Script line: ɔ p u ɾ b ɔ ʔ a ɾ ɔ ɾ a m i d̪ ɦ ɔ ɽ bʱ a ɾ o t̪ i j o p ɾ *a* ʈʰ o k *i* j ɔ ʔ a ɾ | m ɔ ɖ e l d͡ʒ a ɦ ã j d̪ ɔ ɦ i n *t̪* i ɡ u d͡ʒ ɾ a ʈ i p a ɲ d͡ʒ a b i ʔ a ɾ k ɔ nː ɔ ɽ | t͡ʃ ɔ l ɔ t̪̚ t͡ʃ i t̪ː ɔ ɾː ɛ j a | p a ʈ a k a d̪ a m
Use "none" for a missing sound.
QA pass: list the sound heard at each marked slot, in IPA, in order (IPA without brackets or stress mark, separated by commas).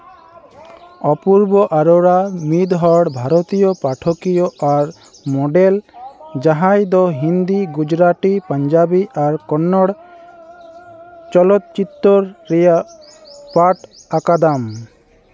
a, i, d̪